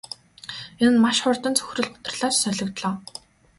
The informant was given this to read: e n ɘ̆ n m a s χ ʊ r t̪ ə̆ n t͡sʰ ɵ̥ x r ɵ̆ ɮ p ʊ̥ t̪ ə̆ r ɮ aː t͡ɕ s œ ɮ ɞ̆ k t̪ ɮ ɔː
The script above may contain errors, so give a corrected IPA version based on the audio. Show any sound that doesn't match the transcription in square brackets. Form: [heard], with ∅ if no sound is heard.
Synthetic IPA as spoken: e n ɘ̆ n m a [ʃ] χ ʊ r t̪ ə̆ n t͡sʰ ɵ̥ x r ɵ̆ ɮ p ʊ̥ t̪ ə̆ r ɮ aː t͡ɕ s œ ɮ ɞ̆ k t̪ ɮ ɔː